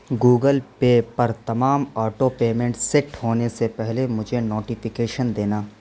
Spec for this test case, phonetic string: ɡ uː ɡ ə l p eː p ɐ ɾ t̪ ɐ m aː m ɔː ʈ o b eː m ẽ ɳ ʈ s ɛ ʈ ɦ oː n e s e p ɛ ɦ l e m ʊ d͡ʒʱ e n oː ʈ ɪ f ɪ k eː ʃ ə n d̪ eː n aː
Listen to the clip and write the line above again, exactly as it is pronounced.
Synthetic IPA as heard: ɡ uː ɡ ə l p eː p ɐ ɾ t̪ ɐ m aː m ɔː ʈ o p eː m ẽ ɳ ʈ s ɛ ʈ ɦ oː n e s e p ɛ ɦ l e m ʊ d͡ʒʱ e n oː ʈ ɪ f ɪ k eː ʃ ə n d̪ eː n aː